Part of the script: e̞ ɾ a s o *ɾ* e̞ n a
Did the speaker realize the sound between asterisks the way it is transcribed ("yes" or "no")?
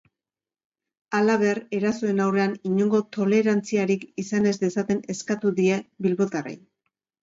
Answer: no